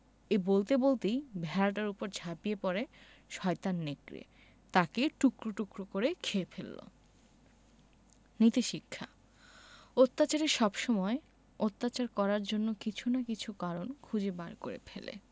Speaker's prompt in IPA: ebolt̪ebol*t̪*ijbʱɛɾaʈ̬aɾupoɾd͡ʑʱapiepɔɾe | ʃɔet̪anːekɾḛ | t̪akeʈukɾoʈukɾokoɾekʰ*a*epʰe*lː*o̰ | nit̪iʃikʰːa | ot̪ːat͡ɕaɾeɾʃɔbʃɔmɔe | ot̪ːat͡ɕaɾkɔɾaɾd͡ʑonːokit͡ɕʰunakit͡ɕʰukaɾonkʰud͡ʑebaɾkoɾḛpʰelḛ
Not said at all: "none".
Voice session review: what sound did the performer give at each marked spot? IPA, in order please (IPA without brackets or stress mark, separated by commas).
t̪, e, lː